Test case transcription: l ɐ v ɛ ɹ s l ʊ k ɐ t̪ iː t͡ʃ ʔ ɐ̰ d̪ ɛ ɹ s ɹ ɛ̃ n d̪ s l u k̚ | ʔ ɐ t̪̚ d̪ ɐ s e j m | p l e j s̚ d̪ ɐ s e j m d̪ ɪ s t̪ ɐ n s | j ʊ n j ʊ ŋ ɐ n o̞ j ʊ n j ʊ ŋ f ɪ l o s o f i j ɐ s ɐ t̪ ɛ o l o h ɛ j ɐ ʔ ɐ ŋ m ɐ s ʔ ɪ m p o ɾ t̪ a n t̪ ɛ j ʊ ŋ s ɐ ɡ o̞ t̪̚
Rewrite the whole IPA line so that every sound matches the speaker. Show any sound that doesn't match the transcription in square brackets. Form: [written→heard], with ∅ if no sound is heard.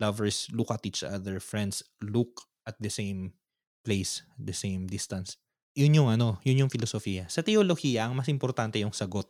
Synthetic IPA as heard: l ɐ v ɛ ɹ s l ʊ k ɐ t̪ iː t͡ʃ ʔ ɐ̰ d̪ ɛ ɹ [s→f] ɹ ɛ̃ n d̪ s l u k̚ | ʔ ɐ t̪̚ d̪ ɐ s e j m | p l e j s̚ d̪ ɐ s e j m d̪ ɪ s t̪ ɐ n s | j ʊ n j ʊ ŋ ɐ n o̞ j ʊ n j ʊ ŋ f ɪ l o s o f i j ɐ s ɐ t̪ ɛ o l o h [ɛ→i] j ɐ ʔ ɐ ŋ m ɐ s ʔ ɪ m p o ɾ t̪ a n t̪ ɛ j ʊ ŋ s ɐ ɡ o̞ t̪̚